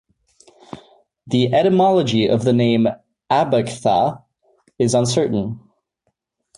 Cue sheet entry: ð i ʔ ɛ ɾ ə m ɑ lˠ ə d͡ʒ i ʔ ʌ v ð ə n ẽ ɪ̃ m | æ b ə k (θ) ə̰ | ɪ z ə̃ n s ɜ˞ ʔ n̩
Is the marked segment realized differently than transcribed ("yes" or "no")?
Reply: no